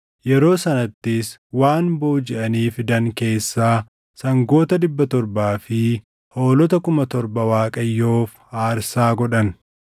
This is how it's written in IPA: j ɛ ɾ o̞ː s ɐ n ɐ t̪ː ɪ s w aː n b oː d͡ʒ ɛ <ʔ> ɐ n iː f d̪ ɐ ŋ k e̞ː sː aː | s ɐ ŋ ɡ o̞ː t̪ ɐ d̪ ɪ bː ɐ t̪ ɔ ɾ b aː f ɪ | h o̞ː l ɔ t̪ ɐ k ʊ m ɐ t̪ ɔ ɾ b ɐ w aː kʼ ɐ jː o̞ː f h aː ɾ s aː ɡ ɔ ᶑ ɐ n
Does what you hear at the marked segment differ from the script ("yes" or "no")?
no